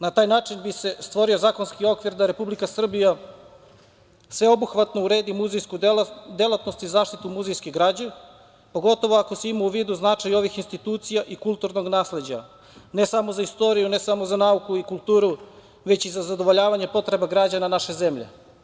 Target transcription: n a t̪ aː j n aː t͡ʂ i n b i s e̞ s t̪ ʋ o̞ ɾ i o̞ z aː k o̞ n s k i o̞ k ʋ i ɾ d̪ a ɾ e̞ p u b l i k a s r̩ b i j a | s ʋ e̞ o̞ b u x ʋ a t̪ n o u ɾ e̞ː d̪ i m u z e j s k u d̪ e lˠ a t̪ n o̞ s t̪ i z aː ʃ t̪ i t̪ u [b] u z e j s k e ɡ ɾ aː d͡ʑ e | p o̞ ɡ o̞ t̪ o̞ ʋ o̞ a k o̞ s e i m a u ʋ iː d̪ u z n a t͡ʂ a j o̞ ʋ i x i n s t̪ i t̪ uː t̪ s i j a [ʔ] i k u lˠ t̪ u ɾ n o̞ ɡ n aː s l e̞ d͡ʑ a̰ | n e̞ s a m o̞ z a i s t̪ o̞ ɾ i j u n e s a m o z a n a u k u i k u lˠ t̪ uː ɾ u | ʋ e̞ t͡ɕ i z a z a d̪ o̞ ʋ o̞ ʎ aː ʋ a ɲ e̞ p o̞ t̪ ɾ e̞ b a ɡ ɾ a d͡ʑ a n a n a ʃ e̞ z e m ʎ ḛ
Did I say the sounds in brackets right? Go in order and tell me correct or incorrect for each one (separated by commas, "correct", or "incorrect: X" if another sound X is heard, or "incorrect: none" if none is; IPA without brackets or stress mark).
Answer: incorrect: m, correct